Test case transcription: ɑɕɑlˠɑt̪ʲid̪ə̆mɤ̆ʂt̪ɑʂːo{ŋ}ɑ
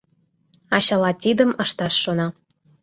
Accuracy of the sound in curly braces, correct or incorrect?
incorrect: n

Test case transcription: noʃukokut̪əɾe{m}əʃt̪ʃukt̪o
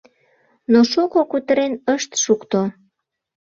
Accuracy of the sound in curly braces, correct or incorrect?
incorrect: n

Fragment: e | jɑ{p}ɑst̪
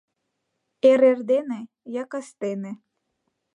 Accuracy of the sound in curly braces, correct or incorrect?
incorrect: k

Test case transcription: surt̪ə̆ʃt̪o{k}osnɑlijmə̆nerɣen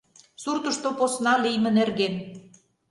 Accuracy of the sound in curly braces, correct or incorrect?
incorrect: p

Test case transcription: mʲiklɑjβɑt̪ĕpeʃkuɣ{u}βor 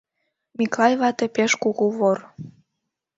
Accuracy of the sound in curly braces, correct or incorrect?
correct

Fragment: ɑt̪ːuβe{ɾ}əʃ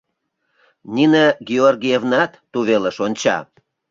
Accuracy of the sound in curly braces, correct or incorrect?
incorrect: l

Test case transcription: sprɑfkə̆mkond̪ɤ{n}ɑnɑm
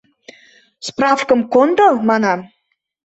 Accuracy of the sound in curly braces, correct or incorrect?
incorrect: m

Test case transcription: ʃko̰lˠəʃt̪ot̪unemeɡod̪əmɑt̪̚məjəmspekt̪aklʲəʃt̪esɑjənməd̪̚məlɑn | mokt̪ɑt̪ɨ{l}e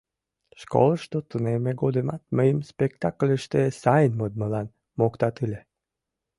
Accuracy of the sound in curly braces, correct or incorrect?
correct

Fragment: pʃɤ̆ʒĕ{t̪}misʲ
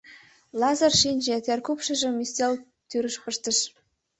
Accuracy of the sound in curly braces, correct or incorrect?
incorrect: none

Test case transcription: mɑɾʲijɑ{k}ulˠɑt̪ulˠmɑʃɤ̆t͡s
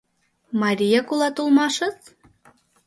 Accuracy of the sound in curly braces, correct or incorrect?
correct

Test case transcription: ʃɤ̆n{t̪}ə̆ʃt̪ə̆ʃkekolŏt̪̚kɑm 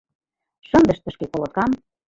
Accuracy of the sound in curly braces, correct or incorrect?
incorrect: d̪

